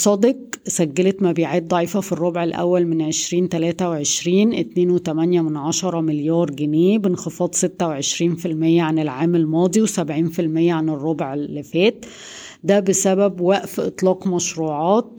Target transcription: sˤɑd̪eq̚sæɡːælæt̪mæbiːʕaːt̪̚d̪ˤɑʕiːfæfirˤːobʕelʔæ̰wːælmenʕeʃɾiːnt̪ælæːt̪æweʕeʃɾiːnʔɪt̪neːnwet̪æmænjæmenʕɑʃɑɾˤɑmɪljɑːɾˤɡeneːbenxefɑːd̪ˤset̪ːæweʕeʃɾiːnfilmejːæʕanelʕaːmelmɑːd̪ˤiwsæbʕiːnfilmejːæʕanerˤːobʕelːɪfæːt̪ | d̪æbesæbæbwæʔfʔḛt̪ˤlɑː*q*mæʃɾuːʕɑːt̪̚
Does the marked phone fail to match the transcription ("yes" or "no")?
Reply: no